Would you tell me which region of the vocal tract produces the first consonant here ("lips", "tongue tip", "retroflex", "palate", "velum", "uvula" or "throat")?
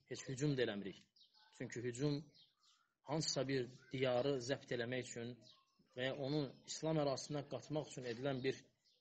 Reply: throat